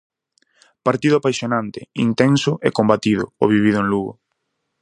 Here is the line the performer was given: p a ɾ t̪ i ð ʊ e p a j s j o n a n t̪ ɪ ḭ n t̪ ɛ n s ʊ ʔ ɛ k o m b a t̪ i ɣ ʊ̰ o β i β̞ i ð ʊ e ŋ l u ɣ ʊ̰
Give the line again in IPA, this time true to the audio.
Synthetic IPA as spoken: p a ɾ t̪ i ð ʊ a p a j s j o n a n t̪ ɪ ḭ n t̪ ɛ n s ʊ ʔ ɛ k o m b a t̪ i ð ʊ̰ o β i β̞ i ð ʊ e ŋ l u ɣ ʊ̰